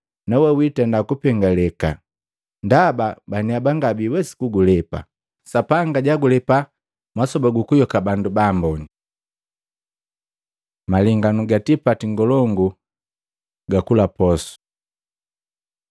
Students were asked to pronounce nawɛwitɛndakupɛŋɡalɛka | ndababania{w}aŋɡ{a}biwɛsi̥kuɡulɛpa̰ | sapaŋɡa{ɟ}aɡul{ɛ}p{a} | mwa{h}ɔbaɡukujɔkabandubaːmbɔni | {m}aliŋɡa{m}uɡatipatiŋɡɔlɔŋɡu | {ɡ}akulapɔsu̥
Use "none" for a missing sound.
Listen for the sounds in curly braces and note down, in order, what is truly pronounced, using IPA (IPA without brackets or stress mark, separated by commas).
b, a, ɟ, ɛ, a, s, m, n, ɡ